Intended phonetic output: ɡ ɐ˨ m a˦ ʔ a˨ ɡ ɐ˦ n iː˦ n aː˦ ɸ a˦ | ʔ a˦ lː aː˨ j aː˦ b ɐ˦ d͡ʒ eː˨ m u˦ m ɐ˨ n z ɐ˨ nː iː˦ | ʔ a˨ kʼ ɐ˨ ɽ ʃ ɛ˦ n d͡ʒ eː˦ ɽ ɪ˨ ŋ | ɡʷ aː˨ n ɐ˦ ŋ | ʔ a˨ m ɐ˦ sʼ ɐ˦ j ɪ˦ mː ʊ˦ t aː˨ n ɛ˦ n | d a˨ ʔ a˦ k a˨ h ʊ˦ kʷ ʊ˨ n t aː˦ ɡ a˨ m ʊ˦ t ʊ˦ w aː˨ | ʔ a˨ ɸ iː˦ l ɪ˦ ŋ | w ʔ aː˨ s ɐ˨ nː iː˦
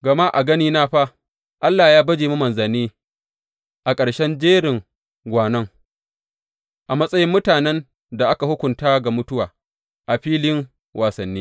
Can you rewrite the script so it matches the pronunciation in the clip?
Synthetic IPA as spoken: ɡ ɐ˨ m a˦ ʔ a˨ ɡ ɐ˦ n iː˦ n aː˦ ɸ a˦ | ʔ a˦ lː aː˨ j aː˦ b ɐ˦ d͡ʒ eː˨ m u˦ m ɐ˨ n z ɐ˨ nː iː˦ | ʔ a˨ kʼ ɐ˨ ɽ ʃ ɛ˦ n d͡ʒ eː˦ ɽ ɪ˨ ŋ | ɡʷ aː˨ n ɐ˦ ŋ | ʔ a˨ m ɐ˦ sʼ ɐ˦ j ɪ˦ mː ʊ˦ t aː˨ n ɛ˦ n | d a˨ ʔ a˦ k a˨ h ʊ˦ kʷ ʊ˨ n t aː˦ ɡ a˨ m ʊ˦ t ʊ˦ w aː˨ | ʔ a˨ ɸ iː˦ l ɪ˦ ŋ | w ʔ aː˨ s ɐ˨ nː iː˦